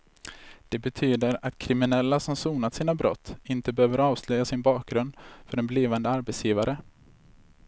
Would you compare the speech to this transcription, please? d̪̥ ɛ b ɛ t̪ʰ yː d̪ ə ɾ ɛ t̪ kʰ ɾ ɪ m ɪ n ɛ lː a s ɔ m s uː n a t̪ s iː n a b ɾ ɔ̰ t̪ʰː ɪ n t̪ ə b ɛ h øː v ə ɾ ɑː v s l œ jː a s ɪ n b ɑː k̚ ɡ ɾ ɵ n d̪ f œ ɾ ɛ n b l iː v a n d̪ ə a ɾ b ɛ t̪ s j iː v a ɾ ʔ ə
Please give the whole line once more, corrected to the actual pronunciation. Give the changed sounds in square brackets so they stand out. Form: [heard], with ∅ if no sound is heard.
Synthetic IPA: d̪̥ ɛ b ɛ t̪ʰ yː d̪ ə ɾ [a] t̪ kʰ ɾ ɪ m ɪ n ɛ lː a s ɔ m s uː n a t̪ s iː n a b ɾ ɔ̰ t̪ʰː ɪ n t̪ ə b ɛ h øː v ə ɾ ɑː v s l œ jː a s ɪ n b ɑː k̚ ɡ ɾ ɵ n d̪ f œ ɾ ɛ n b l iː v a n d̪ ə a ɾ b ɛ t̪ s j iː v a ɾ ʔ ə